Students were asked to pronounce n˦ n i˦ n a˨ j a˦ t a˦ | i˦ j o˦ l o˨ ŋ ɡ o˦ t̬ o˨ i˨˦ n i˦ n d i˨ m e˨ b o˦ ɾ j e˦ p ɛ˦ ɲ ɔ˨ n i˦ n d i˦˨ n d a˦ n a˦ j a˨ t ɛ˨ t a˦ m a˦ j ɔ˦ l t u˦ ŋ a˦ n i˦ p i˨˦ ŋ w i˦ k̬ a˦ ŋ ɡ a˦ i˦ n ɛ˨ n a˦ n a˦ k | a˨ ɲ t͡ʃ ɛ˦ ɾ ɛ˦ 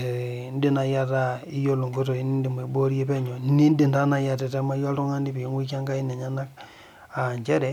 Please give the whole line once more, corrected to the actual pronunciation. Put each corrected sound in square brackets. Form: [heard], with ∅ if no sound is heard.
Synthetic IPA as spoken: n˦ [d] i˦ n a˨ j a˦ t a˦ | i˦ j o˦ l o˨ ŋ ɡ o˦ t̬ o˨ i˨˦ n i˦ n d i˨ m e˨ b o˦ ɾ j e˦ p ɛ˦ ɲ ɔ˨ n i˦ n d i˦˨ n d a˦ n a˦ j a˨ t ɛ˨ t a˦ m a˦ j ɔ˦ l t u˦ ŋ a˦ n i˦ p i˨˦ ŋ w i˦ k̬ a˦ ŋ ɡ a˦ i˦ n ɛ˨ [ɲ] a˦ n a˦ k | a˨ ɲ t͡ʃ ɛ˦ ɾ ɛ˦